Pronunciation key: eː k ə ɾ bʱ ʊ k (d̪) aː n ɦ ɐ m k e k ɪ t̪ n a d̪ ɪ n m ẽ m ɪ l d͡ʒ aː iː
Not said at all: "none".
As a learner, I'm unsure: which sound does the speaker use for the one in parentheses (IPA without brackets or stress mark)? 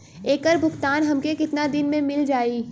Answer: t̪